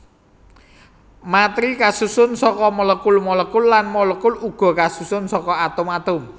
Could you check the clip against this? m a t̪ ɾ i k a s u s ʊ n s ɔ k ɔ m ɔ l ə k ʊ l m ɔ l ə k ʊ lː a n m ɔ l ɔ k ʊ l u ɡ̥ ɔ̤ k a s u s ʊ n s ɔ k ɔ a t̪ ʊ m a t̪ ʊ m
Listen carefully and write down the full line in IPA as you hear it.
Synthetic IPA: m a t̪ ɾ i k a s u s ʊ n s ɔ k ɔ m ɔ l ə k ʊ l m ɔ l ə k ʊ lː a n m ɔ l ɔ k ʊ l u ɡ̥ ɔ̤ k a s u s ʊ n s ɔ k ɔ a t̪ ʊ m a t̪ ʊ m